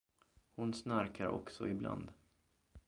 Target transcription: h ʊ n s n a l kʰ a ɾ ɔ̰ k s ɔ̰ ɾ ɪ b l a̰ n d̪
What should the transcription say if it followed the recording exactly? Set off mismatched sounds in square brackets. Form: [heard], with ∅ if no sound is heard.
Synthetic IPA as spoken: h ʊ n s n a [ɾ] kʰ a ɾ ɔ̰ k s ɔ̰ [∅] ɪ b l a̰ n d̪